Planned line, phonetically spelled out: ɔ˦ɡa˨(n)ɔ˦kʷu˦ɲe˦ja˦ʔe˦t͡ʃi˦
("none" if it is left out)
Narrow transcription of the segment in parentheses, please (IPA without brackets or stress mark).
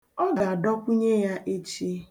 d